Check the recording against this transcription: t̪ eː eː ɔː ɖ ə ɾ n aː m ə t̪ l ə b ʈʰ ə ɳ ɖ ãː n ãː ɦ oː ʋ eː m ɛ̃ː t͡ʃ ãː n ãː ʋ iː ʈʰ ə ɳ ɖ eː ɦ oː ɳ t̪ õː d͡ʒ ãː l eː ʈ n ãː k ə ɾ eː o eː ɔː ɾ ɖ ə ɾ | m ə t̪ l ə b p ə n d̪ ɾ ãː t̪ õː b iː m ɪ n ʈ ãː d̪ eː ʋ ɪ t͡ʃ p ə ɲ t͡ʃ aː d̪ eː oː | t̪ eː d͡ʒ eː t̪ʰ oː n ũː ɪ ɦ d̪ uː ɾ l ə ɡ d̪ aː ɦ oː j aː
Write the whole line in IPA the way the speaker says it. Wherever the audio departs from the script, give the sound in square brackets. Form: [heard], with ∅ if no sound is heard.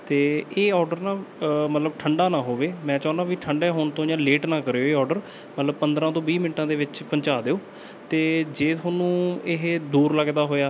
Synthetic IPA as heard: t̪ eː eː ɔː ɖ ə ɾ n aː m ə t̪ l ə b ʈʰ ə ɳ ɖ [aː] n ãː ɦ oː ʋ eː m ɛ̃ː t͡ʃ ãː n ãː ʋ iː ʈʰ ə ɳ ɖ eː ɦ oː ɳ t̪ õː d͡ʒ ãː l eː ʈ n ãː k ə ɾ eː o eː ɔː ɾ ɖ ə ɾ | m ə t̪ l ə b p ə n d̪ ɾ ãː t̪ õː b iː m ɪ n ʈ ãː d̪ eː ʋ ɪ t͡ʃ p ə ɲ t͡ʃ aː d̪ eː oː | t̪ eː d͡ʒ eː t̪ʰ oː n ũː ɪ ɦ d̪ uː ɾ l ə ɡ d̪ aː ɦ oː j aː

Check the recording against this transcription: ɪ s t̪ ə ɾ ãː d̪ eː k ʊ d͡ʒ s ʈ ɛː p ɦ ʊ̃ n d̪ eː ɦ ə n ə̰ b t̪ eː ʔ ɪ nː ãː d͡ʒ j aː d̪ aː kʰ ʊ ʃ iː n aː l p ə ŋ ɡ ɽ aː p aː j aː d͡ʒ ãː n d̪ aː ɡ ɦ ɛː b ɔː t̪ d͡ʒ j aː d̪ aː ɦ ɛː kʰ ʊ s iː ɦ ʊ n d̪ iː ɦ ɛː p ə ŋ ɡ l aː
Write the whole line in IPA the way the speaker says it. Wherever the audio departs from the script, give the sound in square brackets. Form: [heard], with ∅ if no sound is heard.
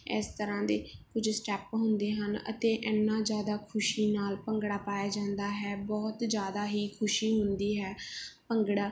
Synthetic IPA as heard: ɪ s t̪ ə ɾ ãː d̪ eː k ʊ d͡ʒ s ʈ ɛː p ɦ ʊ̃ n d̪ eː ɦ ə n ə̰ [∅] t̪ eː ʔ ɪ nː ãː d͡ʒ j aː d̪ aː kʰ ʊ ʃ iː n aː l p ə ŋ ɡ ɽ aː p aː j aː d͡ʒ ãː n d̪ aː [∅] ɦ ɛː b ɔː t̪ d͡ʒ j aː d̪ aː ɦ [iː] kʰ ʊ [ʃ] iː ɦ ʊ n d̪ iː ɦ ɛː p ə ŋ ɡ [ɽ] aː

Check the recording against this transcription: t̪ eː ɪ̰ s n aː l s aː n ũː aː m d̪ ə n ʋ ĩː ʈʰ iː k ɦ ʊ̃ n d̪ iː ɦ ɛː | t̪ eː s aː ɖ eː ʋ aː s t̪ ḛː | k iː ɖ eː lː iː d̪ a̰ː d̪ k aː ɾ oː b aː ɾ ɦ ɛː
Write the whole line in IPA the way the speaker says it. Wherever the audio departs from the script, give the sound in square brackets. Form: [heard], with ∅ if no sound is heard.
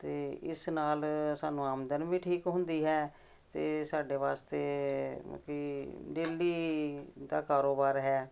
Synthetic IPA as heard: t̪ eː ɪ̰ s n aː l s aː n ũː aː m d̪ ə n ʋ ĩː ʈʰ iː k ɦ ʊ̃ n d̪ iː ɦ ɛː | t̪ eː s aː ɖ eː ʋ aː s t̪ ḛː | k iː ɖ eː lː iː d̪ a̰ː [∅] k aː ɾ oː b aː ɾ ɦ ɛː

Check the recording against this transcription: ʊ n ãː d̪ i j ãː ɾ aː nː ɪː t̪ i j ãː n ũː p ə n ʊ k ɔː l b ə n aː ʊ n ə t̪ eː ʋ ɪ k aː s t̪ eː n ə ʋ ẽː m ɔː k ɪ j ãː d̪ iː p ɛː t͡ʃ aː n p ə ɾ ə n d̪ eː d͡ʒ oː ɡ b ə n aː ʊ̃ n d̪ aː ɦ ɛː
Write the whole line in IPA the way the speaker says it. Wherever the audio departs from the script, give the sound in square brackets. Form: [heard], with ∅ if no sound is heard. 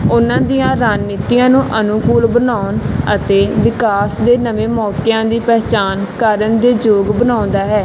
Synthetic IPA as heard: ʊ n ãː d̪ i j ãː ɾ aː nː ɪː t̪ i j ãː n ũː [ʔ] ə n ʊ k [uː] l b ə n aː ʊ n ə t̪ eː ʋ ɪ k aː s [d̪] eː n ə ʋ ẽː m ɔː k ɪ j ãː d̪ iː p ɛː t͡ʃ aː n [k] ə ɾ ə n d̪ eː d͡ʒ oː ɡ b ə n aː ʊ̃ n d̪ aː ɦ ɛː

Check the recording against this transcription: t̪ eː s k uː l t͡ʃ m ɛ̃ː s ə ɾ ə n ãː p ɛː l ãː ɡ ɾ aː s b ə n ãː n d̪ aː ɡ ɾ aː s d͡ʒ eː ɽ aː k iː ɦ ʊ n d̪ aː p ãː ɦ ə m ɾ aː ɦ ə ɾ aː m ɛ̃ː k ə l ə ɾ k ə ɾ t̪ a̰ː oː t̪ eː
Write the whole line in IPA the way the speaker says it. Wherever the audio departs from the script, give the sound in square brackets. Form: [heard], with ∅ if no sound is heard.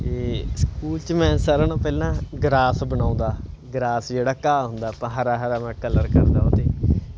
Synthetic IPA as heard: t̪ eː s k uː l t͡ʃ m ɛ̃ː s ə ɾ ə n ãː p ɛː l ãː ɡ ɾ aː s b ə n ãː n d̪ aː ɡ ɾ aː s d͡ʒ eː ɽ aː k [aː] ɦ ʊ n d̪ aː p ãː ɦ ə [∅] ɾ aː ɦ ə ɾ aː m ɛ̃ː k ə l ə ɾ k ə ɾ [d̪] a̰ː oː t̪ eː

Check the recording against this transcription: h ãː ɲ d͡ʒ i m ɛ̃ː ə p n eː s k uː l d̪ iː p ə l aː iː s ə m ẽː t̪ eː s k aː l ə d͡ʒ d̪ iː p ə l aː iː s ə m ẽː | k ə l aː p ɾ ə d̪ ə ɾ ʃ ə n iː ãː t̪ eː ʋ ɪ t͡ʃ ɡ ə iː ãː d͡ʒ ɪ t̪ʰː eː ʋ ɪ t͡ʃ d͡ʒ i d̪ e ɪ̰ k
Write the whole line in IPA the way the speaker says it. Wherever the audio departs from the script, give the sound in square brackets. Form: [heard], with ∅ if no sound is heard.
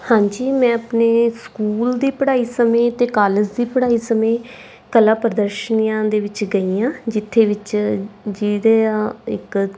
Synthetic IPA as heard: h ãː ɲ d͡ʒ [iː] m ɛ̃ː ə p n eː s k uː l d̪ iː p ə [ɽ] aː iː s ə m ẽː t̪ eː [∅] k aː l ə d͡ʒ d̪ iː p ə [ɽ] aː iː s ə m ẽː | k ə l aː p ɾ ə d̪ ə ɾ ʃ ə n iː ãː [d̪] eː ʋ ɪ t͡ʃ ɡ ə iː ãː d͡ʒ ɪ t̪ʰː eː ʋ ɪ t͡ʃ d͡ʒ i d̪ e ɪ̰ k

